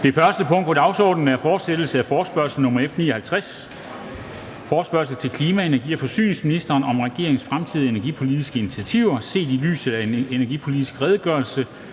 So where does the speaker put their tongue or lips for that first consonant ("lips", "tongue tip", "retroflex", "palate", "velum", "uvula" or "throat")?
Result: tongue tip